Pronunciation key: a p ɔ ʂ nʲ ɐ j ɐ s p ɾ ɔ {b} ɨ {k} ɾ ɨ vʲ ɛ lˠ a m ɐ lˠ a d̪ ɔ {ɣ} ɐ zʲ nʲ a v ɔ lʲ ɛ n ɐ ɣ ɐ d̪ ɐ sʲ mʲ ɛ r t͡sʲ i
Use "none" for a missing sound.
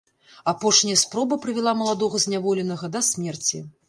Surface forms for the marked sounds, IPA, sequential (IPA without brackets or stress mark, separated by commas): b, p, ɣ